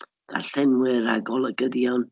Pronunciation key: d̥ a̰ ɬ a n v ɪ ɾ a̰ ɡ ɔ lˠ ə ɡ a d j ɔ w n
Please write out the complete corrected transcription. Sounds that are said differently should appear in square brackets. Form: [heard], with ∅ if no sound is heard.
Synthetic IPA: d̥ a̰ ɬ [ɛ] n [w] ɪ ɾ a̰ ɡ ɔ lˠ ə ɡ [ə] d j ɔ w n